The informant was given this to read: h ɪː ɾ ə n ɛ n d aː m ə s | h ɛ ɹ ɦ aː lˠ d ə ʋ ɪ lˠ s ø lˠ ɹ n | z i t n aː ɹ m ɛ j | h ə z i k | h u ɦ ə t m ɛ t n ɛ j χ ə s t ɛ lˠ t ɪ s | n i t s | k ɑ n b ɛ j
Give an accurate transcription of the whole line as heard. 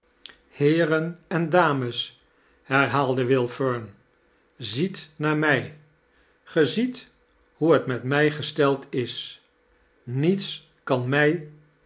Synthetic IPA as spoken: h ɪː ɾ ə n ɛ n d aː m ə s | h ɛ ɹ ɦ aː lˠ d ə ʋ ɪ lˠ f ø ɹ n | z i t n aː ɹ m ɛ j | χ ə z i t | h u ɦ ə t m ɛ t m ɛ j χ ə s t ɛ lˠ t ɪ s | n i t s | k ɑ n m ɛ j

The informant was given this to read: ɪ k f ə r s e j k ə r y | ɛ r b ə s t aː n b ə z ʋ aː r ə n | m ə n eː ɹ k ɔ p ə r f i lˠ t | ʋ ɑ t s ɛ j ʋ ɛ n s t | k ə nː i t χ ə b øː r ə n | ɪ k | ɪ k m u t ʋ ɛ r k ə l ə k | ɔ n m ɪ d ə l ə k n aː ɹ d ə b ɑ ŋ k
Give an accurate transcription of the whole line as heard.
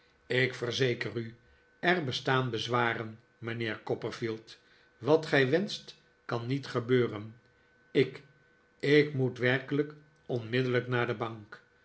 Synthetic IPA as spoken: ɪ k f ə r z e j k ə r y | ɛ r b ə s t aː n b ə z ʋ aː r ə n | m ə n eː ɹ k ɔ p ə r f i lˠ t | ʋ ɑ t χ ɛ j ʋ ɛ n s t | k ɑ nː i t χ ə b øː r ə n | ɪ k | ɪ k m u t ʋ ɛ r k ə l ə k | ɔ n m ɪ d ə l ə k n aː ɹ d ə b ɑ ŋ k

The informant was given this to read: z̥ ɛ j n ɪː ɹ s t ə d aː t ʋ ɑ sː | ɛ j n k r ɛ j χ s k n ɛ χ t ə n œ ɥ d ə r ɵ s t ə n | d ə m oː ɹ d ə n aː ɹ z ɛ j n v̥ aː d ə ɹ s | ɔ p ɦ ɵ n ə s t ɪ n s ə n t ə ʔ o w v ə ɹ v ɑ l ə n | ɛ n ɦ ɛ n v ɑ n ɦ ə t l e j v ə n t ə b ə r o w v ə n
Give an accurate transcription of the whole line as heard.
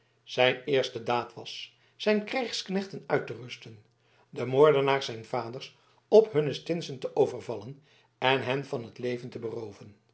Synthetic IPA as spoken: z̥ ɛ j n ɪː ɹ s t ə d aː t ʋ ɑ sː | ɛ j n k r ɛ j χ s k n ɛ χ t ə n œ ɥ t ə r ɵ s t ə n | d ə m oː ɹ d ə n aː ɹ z ɛ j n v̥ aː d ə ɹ s | ɔ p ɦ ɵ n ə s t ɪ n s ə n t ə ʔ o w v ə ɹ v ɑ l ə n | ɛ n ɦ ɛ n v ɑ n ɦ ə t l e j v ə n t ə b ə r o w v ə n

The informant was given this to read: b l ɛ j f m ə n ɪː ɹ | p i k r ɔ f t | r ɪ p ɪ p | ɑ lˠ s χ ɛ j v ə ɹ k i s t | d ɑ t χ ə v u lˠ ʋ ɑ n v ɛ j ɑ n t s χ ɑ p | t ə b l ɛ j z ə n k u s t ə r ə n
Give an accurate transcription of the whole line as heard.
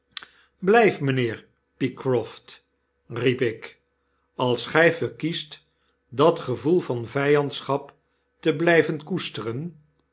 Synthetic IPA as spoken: b l ɛ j f m ə n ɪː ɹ | p i k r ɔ f t | r i p ɪ k | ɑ lˠ s χ ɛ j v ə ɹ k i s t | d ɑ t χ ə v u lˠ v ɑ n v ɛ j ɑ n t s χ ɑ p | t ə b l ɛ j v ə n k u s t ə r ə n

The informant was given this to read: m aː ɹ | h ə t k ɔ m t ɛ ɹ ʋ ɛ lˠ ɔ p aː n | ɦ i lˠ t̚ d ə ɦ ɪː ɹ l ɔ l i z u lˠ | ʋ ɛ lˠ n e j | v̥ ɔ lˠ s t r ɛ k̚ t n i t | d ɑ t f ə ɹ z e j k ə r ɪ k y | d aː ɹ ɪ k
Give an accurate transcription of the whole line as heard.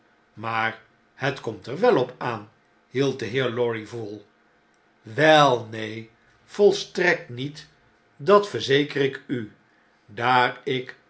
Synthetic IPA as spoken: m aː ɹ | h ə t k ɔ m t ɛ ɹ ʋ ɛ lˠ ɔ p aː n | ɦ i lˠ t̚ d ə ɦ ɪː ɹ l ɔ ɹ i v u lˠ | ʋ ɛ lˠ n e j | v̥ ɔ lˠ s t r ɛ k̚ t n i t | d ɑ t f ə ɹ z e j k ə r ɪ k y | d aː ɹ ɪ k

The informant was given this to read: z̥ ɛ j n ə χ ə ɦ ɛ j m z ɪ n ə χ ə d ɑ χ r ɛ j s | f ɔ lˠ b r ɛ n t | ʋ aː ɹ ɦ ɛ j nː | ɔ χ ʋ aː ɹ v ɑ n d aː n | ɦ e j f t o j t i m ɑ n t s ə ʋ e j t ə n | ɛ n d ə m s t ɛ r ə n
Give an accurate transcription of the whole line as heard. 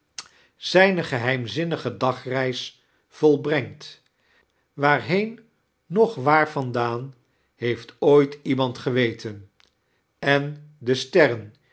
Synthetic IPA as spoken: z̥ ɛ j n ə χ ə ɦ ɛ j m z ɪ n ə χ ə d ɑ χ r ɛ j s | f ɔ lˠ b r ɛ ŋ t | ʋ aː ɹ ɦ e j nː | ɔ χ ʋ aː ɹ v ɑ n d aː n | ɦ e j f t o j t i m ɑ n t χ ə ʋ e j t ə n | ɛ n d ə s t ɛ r ə n

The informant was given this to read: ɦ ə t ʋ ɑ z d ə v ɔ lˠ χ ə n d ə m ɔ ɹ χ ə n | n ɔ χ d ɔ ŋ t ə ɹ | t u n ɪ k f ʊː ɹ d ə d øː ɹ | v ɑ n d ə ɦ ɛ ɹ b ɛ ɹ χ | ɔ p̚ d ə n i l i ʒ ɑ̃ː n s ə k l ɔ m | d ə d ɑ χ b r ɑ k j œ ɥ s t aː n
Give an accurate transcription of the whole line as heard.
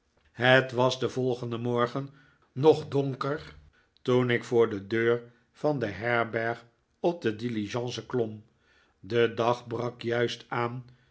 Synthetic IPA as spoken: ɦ ə t ʋ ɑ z d ə v ɔ lˠ χ ə n d ə m ɔ ɹ χ ə n | n ɔ χ d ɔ ŋ k ə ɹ | t u n ɪ k f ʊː ɹ d ə d øː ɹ | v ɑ n d ə ɦ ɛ ɹ b ɛ ɹ χ | ɔ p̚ d ə d i l i ʒ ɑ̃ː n s ə k l ɔ m | d ə d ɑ χ b r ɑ k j œ ɥ s t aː n

